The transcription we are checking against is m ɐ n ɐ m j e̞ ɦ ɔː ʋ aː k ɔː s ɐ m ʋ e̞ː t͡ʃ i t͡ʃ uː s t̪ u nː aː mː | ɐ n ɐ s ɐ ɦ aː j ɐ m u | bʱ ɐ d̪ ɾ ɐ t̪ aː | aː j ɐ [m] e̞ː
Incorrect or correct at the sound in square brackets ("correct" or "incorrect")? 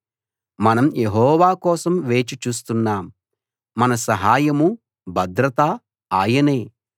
incorrect